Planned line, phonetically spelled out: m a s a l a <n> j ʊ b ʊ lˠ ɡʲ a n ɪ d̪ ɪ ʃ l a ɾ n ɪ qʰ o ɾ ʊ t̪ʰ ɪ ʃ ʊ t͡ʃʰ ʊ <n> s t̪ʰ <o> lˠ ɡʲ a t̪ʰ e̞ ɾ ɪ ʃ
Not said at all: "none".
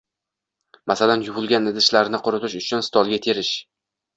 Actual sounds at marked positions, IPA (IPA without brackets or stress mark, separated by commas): n, n, ɒ